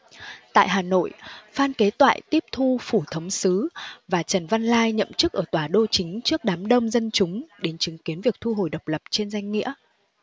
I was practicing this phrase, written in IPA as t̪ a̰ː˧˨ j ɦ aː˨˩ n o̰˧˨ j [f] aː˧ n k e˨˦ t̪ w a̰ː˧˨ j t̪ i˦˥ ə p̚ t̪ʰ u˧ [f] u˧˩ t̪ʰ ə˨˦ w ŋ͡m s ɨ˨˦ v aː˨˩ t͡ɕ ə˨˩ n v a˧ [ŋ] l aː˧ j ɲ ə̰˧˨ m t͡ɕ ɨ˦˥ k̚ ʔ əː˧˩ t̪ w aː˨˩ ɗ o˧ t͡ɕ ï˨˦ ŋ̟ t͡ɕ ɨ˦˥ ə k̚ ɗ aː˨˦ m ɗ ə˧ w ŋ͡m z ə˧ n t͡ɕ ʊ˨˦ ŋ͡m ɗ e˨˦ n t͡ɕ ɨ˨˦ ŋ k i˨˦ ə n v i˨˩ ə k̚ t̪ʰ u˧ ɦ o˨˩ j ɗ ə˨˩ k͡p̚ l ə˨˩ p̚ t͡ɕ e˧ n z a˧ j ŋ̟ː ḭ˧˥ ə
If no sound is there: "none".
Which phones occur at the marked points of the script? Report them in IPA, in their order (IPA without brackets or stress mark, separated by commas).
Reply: f, f, n